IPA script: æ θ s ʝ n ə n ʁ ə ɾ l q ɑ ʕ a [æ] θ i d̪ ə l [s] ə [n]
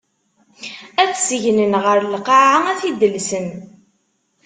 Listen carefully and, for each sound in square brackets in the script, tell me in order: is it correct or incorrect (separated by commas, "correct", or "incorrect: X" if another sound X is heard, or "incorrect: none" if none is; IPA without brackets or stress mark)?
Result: correct, correct, correct